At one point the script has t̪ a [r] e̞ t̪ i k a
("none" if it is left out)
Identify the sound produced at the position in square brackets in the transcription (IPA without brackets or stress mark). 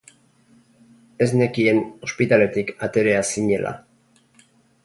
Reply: l